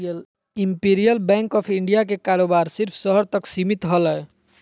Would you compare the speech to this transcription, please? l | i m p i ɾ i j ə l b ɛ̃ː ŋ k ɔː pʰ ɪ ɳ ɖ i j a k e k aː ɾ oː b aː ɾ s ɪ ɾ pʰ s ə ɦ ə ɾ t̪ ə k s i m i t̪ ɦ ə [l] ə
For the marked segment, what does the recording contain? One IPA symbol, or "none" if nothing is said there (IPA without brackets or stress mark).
l